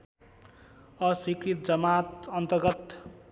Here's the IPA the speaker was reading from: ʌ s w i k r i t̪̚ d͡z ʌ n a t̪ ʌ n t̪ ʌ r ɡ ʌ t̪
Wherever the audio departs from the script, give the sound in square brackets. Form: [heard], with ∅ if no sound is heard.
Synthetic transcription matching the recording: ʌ s w i k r i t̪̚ d͡z ʌ [m] a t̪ ʌ n t̪ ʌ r ɡ ʌ t̪